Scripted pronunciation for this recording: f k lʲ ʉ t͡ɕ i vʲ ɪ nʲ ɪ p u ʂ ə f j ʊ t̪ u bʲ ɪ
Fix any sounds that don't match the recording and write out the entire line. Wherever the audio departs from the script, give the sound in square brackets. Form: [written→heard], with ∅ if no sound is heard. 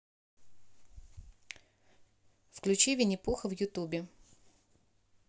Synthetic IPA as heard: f k lʲ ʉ t͡ɕ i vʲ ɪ nʲ ɪ p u [ʂ→x] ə [f→v] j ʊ t̪ u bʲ ɪ